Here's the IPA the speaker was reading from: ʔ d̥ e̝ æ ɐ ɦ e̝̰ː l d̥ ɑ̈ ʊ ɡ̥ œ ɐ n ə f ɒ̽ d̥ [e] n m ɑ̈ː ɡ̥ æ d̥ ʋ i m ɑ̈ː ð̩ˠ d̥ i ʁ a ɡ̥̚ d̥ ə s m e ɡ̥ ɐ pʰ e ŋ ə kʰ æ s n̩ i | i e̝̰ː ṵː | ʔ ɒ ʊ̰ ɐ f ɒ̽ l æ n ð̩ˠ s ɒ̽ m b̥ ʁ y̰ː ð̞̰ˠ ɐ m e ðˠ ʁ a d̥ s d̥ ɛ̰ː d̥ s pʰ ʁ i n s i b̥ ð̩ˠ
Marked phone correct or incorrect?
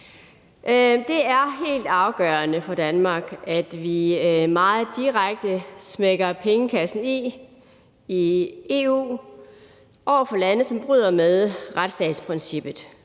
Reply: incorrect